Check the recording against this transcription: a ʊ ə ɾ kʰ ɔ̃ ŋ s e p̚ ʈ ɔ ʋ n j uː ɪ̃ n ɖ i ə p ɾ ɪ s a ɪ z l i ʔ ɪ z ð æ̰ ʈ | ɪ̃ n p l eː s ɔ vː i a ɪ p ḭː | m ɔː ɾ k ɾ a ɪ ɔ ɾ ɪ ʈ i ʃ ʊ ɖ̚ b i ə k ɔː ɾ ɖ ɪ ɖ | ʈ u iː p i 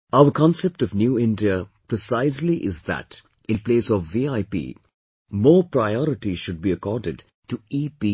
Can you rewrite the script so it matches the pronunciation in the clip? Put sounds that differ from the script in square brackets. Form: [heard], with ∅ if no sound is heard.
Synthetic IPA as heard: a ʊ ə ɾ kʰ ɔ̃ [n] s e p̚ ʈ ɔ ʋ n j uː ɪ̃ n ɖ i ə p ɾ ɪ s a ɪ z l i ʔ ɪ z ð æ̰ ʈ | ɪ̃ n p l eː s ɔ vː i a ɪ p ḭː | m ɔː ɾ [p] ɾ a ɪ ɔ ɾ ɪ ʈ i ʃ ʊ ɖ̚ b i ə k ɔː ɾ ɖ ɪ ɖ | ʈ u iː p i

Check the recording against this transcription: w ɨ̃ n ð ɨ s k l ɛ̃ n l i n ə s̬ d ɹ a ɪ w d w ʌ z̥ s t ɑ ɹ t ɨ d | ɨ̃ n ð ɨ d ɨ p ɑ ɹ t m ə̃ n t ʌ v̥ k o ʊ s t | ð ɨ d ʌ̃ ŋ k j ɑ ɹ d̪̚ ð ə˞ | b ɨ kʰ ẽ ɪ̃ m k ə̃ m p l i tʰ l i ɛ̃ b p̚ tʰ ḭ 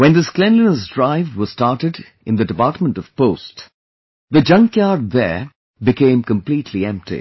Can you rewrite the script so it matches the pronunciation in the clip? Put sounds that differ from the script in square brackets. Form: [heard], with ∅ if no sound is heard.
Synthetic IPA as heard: w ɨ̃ n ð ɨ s k l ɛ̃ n l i n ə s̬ d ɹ a ɪ [v] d w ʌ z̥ s t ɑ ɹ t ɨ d | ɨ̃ n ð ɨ d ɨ p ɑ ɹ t m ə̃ n t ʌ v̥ [p] o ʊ s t | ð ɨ [d͡ʒ] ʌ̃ ŋ k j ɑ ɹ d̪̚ ð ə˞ | b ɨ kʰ ẽ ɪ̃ m k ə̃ m p l i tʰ l i ɛ̃ [m] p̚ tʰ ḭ

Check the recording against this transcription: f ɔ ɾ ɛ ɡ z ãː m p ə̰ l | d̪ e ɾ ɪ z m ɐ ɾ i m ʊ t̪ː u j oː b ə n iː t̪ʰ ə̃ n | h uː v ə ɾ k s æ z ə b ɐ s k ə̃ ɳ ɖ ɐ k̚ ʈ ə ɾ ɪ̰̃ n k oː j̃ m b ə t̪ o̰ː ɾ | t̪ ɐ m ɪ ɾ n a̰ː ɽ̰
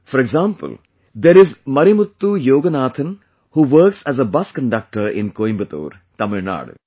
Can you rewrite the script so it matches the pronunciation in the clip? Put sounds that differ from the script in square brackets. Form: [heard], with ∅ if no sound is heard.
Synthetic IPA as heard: f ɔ ɾ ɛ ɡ z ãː m p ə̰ l | d̪ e ɾ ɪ z m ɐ ɾ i m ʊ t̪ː u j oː [ɡ] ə n [aː] t̪ʰ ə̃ n | h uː [ʋ] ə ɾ k s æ z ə b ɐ s k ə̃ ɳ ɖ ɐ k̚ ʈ ə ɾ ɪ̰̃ n k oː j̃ m b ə t̪ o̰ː ɾ | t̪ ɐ m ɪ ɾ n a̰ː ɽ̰

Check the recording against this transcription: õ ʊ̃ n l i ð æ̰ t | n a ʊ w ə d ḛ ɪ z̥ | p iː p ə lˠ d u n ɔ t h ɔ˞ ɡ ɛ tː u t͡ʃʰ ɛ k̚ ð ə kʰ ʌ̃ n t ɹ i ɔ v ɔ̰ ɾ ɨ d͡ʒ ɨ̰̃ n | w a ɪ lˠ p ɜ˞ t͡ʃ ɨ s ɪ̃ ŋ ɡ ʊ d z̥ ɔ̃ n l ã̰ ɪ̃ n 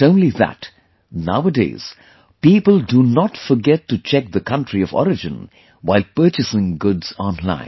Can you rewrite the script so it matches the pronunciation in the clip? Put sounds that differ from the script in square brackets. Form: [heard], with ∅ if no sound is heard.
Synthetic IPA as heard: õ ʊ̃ n l i ð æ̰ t | n a ʊ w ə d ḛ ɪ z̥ | p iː p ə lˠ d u n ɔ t [f] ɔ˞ ɡ ɛ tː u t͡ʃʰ ɛ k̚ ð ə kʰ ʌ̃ n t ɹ i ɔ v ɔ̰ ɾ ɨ d͡ʒ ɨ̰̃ n | w a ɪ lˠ p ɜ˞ t͡ʃ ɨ s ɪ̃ ŋ ɡ ʊ d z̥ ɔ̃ n l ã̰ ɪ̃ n

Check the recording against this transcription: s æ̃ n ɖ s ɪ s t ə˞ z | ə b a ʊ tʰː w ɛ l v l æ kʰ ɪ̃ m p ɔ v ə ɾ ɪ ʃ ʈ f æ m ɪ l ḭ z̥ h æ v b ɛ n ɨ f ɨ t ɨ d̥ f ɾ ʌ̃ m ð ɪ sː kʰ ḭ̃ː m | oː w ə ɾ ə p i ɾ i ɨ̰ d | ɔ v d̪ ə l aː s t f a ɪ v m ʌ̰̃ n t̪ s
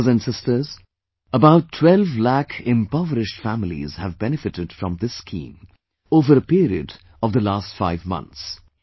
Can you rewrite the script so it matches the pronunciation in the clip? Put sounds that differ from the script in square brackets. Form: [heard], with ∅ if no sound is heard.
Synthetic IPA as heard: [z] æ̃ n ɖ s ɪ s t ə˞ z | ə b a ʊ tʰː w ɛ l v l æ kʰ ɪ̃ m p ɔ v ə ɾ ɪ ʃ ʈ f æ m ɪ l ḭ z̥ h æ v b ɛ n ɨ f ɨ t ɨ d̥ f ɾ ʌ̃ m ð ɪ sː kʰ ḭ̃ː m | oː [v] ə ɾ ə p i ɾ i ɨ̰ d | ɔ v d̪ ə l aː s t f a ɪ v m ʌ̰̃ n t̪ s

